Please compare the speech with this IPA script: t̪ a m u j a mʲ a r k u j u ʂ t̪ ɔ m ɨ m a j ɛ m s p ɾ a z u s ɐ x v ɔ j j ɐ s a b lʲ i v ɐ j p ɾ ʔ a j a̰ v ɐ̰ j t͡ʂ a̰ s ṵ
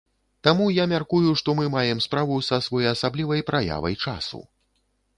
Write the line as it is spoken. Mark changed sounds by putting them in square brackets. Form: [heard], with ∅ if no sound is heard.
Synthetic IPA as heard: t̪ a m u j a mʲ a r k u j u ʂ t̪ ɔ m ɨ m a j ɛ m s p ɾ a [v] u s ɐ [s] v ɔ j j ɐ s a b lʲ i v ɐ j p ɾ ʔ a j a̰ v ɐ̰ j t͡ʂ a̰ s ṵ